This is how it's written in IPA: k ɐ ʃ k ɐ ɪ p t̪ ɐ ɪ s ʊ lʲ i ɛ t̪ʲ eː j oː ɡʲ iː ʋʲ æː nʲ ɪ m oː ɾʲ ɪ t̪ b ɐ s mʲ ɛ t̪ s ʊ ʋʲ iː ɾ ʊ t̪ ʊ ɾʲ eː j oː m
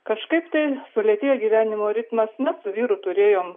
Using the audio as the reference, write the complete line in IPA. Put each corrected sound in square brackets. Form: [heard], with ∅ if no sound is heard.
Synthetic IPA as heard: k ɐ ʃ k ɐ ɪ p t̪ ɐ ɪ s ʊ lʲ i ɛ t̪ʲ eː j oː ɡʲ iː ʋʲ æː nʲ ɪ m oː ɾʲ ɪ t̪ [m] ɐ s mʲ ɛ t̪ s ʊ ʋʲ iː ɾ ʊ t̪ ʊ ɾʲ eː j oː m